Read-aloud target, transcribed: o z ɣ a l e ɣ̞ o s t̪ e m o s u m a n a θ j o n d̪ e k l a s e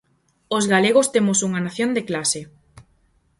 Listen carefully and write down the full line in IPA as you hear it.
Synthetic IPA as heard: o z ɣ a l e ɣ̞ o s t̪ e m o s u ŋ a n a θ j o n d̪ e k l a s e